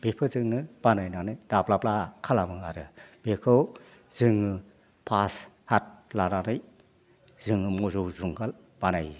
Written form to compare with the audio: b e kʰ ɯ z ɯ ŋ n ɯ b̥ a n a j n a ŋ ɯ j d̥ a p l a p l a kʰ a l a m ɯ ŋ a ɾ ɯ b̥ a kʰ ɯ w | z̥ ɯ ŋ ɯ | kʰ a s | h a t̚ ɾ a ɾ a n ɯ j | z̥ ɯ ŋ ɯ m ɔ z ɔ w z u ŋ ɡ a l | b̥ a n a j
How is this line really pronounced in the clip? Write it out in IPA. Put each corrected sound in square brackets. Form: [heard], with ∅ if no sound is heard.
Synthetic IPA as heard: b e [pʰ] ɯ z ɯ ŋ n ɯ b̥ a n a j n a [n] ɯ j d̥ a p l a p l a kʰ a l a m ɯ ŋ a ɾ ɯ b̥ [e] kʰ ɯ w | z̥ ɯ ŋ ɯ | [pʰ] a s | h a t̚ [l] a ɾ a n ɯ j | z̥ ɯ ŋ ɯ m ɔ z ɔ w z u ŋ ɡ a l | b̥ a n a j